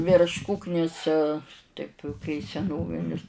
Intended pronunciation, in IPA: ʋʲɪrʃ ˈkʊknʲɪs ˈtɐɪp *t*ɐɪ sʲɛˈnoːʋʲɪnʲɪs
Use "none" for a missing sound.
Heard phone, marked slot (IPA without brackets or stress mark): k